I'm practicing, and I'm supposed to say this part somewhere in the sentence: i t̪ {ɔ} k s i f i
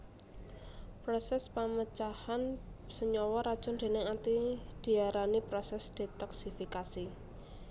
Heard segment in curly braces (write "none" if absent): ɔ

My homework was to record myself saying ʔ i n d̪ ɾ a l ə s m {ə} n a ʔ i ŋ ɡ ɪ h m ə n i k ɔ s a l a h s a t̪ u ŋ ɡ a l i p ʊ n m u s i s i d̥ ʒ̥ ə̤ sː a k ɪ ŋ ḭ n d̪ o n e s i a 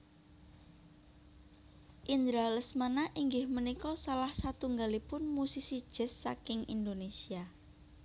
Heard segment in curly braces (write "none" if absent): a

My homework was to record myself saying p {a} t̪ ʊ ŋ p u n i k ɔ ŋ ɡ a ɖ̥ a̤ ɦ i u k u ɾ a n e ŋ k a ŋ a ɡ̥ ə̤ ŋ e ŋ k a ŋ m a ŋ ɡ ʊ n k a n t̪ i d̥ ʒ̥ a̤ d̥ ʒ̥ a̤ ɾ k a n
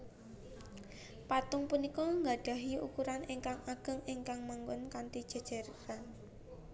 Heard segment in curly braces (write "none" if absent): a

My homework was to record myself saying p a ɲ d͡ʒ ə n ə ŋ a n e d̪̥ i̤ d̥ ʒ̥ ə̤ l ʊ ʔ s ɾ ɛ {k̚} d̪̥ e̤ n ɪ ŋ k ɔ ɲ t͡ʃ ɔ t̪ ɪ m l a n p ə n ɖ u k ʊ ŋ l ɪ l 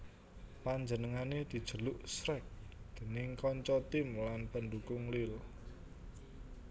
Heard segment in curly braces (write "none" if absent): k̚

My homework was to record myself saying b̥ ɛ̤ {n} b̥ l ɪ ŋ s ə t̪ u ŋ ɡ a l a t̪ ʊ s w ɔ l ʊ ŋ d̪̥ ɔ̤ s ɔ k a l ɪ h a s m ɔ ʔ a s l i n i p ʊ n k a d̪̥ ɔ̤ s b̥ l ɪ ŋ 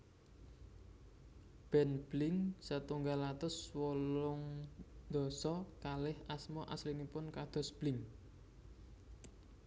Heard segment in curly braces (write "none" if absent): n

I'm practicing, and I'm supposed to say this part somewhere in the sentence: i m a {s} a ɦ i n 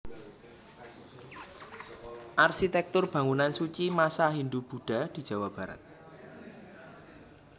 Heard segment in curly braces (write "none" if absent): s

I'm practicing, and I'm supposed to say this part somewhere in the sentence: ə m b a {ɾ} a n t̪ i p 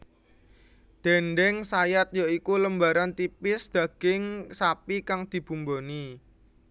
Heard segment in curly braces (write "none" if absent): ɾ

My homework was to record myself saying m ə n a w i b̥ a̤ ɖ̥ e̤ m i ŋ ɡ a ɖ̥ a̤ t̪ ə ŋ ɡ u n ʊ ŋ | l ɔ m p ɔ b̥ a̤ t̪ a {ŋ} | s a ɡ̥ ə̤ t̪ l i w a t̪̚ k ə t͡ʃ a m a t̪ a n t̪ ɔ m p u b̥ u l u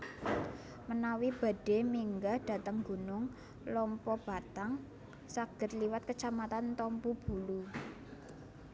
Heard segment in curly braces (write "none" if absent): ŋ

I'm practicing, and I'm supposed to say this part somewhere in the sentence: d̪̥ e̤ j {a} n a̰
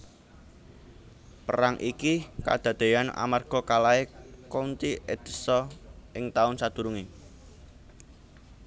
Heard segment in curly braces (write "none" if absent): a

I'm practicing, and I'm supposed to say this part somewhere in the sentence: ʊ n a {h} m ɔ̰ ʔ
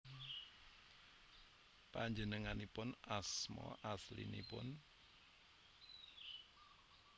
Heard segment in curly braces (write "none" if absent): s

